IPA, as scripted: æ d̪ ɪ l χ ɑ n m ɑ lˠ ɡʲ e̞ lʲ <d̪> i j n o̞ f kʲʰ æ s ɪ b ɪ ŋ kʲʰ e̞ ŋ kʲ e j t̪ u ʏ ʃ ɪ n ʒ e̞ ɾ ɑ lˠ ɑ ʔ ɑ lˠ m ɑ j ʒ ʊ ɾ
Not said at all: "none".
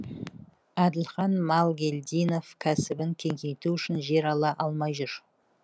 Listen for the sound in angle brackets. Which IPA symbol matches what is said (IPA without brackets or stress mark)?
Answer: d̪